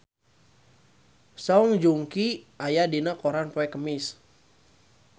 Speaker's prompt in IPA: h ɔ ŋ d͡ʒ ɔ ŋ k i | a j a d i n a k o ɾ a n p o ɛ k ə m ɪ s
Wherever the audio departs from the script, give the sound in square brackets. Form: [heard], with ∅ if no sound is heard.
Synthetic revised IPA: [s] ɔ ŋ d͡ʒ [u] ŋ k i | a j a d i n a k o ɾ a n p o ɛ k ə m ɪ s